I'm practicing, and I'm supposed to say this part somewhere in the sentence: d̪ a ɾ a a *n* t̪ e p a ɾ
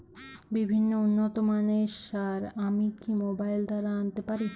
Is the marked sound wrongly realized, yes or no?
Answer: no